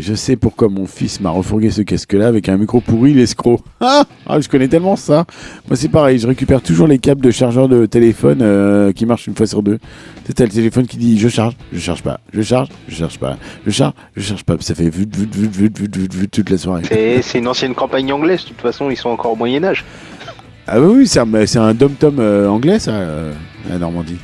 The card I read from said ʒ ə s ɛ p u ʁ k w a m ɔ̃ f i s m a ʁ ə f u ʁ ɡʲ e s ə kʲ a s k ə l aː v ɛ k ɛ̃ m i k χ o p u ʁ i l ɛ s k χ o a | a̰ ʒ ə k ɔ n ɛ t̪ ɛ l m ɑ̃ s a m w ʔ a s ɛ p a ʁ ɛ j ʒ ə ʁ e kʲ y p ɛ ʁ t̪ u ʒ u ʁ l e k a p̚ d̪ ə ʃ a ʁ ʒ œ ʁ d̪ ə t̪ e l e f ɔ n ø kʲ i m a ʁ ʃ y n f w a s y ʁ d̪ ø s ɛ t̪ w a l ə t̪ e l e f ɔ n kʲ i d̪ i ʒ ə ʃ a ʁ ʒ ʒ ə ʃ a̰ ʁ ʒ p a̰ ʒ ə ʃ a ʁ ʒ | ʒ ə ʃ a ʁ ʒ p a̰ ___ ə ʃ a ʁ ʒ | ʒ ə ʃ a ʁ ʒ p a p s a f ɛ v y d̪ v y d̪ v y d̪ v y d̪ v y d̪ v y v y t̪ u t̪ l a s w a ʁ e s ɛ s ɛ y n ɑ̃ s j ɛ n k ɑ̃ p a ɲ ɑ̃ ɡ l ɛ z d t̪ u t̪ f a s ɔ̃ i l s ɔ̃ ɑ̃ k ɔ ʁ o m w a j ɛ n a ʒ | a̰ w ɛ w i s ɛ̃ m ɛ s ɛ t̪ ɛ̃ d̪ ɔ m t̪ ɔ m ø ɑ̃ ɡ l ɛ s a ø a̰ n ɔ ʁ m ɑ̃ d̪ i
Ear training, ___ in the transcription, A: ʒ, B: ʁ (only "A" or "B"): A